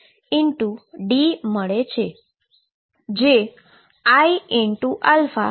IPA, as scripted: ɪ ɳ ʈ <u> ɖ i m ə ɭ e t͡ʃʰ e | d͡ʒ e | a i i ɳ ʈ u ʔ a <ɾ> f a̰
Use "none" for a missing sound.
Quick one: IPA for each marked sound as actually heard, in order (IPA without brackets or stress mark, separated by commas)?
u, l